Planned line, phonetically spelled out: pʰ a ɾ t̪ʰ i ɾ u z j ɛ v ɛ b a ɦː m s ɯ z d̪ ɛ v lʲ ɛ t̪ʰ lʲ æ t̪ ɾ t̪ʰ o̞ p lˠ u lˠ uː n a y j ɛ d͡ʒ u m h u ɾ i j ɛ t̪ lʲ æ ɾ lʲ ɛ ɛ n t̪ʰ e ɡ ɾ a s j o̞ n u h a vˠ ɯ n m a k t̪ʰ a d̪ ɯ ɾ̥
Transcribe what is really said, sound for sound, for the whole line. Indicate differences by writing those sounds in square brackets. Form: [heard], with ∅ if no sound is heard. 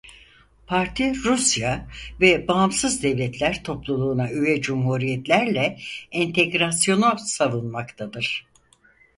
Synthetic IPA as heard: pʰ a ɾ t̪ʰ i ɾ u [s] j [a] v ɛ b a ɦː m s ɯ z d̪ ɛ v lʲ ɛ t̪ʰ lʲ æ [∅] ɾ t̪ʰ o̞ p lˠ u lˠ uː n a y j ɛ d͡ʒ u m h u ɾ i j ɛ t̪ lʲ æ ɾ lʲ ɛ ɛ n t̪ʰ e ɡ ɾ a s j o̞ n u [s] a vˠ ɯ n m a k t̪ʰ a d̪ ɯ ɾ̥